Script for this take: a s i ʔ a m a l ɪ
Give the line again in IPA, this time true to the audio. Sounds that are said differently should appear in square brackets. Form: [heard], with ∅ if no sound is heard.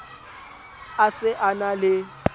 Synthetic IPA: a s [ɪ] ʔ a [n] a l ɪ